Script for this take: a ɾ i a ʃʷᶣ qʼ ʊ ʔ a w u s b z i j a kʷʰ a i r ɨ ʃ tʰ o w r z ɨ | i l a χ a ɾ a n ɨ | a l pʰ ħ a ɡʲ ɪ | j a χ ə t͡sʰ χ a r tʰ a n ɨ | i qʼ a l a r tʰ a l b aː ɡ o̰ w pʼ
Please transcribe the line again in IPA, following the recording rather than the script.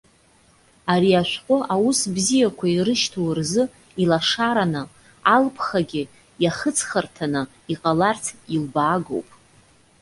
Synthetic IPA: a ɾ i a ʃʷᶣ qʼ ʊ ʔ a w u s b z i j a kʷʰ a i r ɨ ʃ tʰ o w r z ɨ | i l a ʂ a ɾ a n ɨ | a l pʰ χ a ɡʲ ɪ | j a χ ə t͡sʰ χ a r tʰ a n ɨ | i qʼ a l a r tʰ i l b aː ɡ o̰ w pʼ